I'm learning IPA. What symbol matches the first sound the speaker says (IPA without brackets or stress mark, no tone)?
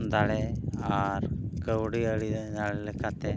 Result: d̪